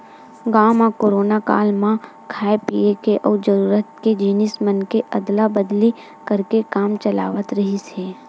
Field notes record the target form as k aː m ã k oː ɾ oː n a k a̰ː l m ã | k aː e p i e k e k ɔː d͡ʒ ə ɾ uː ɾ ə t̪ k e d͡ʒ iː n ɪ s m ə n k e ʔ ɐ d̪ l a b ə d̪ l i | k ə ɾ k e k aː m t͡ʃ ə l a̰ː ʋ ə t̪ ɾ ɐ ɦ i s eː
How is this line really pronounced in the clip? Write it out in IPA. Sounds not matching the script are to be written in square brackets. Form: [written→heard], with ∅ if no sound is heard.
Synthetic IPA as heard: [k→ɡ] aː m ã k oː ɾ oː n a k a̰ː l m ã | [k→kʰ] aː e p i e k e [k→ʔ] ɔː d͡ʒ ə ɾ uː ɾ ə t̪ k e d͡ʒ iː n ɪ s m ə n k e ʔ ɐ d̪ l a b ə d̪ l i | k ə ɾ k e k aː m t͡ʃ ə l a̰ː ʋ ə t̪ ɾ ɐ ɦ i s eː